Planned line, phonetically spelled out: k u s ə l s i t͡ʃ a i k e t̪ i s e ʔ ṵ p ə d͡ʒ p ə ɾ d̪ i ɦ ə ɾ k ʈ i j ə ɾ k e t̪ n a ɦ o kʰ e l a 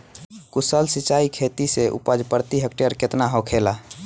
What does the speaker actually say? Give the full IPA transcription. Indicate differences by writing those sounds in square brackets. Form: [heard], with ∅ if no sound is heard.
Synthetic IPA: k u s ə l s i t͡ʃ a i [kʰ] e t̪ i s e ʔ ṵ p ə d͡ʒ p ə ɾ [t̪] i ɦ ə [∅] k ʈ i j ə ɾ k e t̪ n a ɦ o kʰ e l a